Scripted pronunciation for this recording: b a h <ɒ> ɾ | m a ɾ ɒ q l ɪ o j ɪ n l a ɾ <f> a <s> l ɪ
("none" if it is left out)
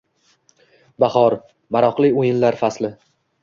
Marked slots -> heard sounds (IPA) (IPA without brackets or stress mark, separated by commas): ɒ, f, s